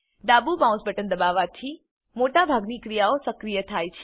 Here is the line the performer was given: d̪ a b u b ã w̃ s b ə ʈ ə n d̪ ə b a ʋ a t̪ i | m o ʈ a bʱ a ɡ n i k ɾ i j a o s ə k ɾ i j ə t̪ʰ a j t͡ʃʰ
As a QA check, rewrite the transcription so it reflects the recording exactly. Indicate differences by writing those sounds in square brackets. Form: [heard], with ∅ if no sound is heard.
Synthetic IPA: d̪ a b u b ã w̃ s b ə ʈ ə n d̪ ə b a ʋ a [t̪ʰ] i | m o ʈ a bʱ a ɡ n i k ɾ i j a o s ə k ɾ i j ə t̪ʰ a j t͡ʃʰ